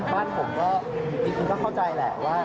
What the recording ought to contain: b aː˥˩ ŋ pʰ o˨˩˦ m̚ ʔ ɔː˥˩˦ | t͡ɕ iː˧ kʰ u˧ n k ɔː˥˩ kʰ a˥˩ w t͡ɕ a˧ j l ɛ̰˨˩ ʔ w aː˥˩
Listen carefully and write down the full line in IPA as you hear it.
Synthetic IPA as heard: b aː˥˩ n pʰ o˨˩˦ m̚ k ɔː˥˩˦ | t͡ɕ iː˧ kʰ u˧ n k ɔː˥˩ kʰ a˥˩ w t͡ɕ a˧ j l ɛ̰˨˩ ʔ w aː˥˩